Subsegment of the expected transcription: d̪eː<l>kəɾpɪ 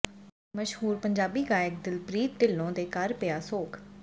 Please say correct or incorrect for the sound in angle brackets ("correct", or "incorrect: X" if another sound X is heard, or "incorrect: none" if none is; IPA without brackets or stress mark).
incorrect: none